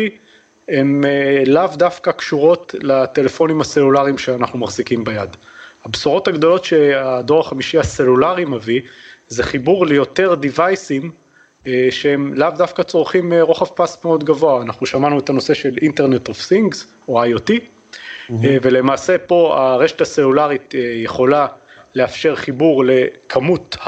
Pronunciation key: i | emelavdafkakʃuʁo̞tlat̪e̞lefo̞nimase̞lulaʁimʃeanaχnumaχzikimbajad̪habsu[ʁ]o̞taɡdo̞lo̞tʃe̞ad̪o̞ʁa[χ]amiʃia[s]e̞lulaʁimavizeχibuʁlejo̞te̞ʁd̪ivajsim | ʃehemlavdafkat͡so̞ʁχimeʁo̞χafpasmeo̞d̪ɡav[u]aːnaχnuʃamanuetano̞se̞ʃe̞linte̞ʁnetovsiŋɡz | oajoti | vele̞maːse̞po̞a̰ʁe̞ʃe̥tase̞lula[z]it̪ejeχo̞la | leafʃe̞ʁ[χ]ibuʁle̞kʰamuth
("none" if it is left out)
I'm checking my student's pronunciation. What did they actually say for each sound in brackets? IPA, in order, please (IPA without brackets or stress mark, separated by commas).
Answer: ʁ, χ, s, o, ʁ, χ